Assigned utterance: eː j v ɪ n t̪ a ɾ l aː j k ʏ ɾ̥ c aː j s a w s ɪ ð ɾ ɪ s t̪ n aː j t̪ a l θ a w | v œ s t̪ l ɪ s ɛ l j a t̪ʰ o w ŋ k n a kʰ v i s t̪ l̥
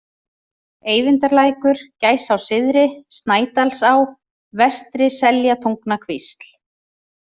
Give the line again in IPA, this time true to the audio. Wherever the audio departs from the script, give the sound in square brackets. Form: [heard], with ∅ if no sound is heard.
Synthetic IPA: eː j v ɪ n t̪ a ɾ l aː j k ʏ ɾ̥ c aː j s a w s ɪ ð ɾ ɪ s t̪ n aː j t̪ a l [s] a w | v [ɛ] s t̪ [ɾ] ɪ s ɛ l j a t̪ʰ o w ŋ k n a kʰ v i s t̪ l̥